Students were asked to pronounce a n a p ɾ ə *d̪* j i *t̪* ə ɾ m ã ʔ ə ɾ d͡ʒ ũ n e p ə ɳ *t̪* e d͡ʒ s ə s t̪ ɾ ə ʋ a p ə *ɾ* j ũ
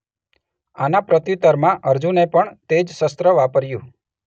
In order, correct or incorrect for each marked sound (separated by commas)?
incorrect, correct, correct, correct